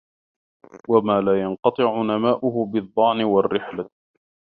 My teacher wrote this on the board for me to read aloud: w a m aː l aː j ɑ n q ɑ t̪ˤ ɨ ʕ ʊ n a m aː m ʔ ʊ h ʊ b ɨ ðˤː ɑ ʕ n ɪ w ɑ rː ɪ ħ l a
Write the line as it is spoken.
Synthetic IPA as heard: w a m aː l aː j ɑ n q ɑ t̪ˤ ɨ ʕ ʊ n a m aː ʔ ʊ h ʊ b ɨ ðˤː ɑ ʕ n ɪ w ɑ rː ɪ ħ l a

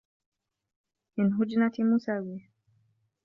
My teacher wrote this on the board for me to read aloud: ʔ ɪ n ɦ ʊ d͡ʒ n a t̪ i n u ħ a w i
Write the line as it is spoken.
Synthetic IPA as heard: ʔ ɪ n ɦ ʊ d͡ʒ n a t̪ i m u s a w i

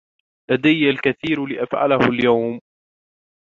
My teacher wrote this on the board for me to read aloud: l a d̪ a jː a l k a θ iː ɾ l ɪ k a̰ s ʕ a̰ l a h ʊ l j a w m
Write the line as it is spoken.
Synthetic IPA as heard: l a d̪ a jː a l k a θ iː ɾ l ɪ ʔ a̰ f ʕ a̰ l a h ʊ l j a w m

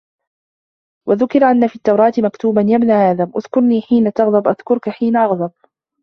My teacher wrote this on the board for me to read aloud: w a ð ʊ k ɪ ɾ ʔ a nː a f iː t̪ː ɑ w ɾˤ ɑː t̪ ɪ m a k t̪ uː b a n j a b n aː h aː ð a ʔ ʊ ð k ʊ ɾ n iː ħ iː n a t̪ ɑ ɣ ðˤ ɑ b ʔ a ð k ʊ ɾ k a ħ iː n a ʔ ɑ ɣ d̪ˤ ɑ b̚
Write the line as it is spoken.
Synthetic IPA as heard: w a ð ʊ k ɪ ɾ ʔ a nː a f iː t̪ː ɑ w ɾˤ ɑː t̪ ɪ m a k t̪ uː b a n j a b n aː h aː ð a ʔ ʊ ð k ʊ ɾ n iː ħ iː n a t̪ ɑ ɣ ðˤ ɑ b ʔ a ð k ʊ ɾ k a ħ iː n a ʔ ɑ ɣ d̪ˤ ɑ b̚

